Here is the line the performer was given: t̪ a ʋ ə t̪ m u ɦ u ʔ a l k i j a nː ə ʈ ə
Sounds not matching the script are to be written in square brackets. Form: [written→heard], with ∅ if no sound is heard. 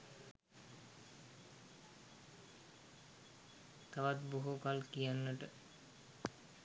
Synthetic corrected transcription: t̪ a ʋ [ə→a] t̪ [m→b] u ɦ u [ʔ→k] a l k i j a nː ə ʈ ə